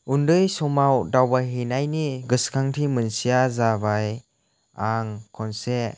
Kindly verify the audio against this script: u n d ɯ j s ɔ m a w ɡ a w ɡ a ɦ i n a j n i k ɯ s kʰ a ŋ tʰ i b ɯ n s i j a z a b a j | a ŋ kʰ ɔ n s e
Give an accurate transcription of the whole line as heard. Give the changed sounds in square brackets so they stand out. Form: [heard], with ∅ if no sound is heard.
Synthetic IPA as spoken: u n d ɯ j s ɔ m a w [d] a w [b] a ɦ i n a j n i [ɡ] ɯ s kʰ a ŋ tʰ i [m] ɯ n s i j a z a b a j | a ŋ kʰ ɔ n s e